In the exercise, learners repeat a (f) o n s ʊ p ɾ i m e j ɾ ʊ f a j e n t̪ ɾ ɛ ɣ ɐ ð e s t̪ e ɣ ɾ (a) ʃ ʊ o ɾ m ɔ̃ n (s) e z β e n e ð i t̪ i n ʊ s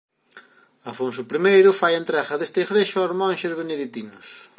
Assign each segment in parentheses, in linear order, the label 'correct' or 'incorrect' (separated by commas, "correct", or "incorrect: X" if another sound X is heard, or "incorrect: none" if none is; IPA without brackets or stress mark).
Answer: correct, incorrect: e, incorrect: ʃ